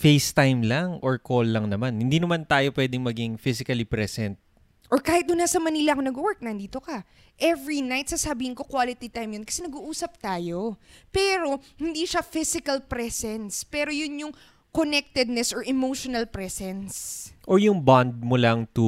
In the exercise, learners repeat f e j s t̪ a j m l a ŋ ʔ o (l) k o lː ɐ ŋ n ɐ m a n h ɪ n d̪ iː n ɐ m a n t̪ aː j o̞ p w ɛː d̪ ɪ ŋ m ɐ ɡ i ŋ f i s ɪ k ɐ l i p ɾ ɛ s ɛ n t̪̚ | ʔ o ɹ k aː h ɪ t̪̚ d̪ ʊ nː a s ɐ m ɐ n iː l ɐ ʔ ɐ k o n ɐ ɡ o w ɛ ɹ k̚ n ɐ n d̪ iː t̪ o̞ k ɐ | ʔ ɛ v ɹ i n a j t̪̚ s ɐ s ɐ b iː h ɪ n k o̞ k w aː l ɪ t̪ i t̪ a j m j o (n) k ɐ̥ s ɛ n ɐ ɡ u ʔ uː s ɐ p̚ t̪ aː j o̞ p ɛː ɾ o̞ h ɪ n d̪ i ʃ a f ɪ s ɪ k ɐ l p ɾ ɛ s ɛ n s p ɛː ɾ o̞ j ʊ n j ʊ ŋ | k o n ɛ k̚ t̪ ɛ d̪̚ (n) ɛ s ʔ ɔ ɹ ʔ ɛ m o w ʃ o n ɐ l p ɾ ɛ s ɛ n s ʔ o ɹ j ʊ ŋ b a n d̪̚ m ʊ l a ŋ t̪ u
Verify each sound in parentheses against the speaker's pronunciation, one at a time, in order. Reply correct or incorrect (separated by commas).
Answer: incorrect, correct, correct